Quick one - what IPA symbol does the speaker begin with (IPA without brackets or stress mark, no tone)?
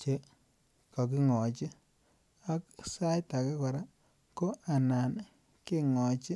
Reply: t͡ʃ